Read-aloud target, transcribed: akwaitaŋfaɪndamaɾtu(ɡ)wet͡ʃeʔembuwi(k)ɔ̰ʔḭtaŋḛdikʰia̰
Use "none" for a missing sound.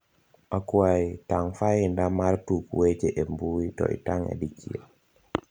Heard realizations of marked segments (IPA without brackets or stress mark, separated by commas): k, t